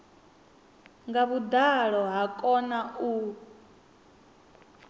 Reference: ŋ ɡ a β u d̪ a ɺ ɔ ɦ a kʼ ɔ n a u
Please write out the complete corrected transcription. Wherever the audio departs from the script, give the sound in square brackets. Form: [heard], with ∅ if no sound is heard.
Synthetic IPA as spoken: ŋ ɡ a β u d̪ a ɺ ɔ ɦ a kʼ ɔ n a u